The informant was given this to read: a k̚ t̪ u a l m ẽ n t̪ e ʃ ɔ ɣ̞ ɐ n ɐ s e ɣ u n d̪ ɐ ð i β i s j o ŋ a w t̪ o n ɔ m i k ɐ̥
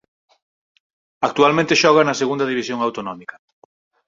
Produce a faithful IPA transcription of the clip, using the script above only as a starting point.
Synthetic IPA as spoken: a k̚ t̪ u a l m ẽ n t̪ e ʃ ɔ ɣ̞ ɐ n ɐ s e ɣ u n d̪ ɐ ð i β i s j o ŋ a w t̪ o n ɔ m i k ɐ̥